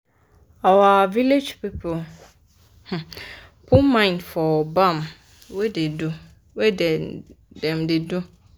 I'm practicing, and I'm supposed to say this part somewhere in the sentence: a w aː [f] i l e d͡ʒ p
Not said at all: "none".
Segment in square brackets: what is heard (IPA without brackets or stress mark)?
v